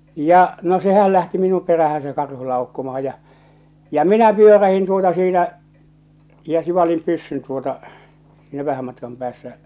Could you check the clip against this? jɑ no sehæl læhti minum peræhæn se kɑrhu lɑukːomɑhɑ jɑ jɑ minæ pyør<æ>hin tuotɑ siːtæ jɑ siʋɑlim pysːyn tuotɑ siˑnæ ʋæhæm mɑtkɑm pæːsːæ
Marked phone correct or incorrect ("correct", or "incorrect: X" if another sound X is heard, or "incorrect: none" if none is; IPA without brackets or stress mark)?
correct